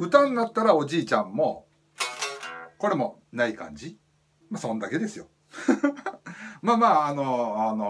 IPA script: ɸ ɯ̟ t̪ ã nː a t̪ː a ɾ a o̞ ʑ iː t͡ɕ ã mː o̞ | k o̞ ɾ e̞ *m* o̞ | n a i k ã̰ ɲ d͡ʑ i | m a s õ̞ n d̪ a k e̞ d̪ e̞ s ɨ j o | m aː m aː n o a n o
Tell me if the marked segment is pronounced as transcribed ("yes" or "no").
yes